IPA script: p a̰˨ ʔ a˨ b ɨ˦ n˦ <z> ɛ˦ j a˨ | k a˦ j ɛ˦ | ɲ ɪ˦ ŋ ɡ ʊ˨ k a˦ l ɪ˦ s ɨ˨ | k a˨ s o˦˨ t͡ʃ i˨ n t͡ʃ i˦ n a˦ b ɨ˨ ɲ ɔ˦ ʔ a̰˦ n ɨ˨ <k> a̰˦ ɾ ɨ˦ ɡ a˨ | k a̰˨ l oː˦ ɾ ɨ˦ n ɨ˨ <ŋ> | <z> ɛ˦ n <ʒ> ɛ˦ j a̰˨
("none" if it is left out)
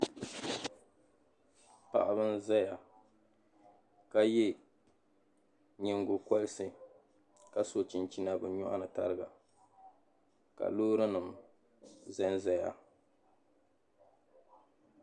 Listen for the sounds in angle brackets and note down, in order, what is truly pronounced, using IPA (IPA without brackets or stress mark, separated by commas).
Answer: z, t, m, z, z